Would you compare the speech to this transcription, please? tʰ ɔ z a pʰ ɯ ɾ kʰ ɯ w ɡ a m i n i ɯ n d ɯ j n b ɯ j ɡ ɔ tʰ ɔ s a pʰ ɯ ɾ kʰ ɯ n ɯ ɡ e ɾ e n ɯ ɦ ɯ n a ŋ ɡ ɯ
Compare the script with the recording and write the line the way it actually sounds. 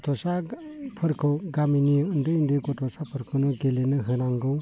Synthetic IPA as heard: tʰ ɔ s a pʰ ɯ ɾ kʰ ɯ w ɡ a m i n i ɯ n d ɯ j n d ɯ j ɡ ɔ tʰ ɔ s a pʰ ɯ ɾ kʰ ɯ n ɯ ɡ e l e n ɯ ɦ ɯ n a ŋ ɡ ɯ